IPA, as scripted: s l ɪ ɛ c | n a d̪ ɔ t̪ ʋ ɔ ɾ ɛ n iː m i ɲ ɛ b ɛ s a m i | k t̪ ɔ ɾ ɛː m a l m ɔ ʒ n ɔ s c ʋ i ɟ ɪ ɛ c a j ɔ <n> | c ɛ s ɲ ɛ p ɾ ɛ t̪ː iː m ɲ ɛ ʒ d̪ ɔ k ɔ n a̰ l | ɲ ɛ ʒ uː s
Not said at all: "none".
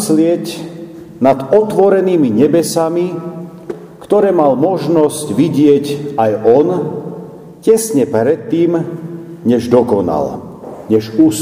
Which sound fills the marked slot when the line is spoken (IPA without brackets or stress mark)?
n